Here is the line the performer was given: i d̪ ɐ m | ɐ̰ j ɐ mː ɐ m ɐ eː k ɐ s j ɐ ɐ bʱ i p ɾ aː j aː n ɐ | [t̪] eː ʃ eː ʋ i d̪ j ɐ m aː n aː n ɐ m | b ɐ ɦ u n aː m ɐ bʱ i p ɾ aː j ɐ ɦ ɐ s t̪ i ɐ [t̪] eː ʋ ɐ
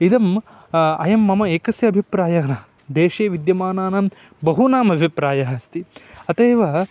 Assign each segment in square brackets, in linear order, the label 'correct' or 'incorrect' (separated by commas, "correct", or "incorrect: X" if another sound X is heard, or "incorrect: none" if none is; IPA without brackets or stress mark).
incorrect: d̪, correct